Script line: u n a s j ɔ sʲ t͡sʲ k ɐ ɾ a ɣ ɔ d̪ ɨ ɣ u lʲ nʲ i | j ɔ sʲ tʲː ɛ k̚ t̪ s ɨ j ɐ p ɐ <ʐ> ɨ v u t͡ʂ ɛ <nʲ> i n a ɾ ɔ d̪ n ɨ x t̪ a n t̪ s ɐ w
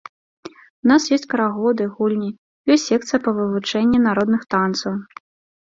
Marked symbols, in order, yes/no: no, no

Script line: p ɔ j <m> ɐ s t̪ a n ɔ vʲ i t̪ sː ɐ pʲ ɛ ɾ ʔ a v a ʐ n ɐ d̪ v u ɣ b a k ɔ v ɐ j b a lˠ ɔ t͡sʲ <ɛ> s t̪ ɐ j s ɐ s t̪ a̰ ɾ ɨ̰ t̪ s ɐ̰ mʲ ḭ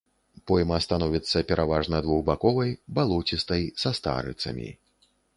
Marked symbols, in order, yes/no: yes, no

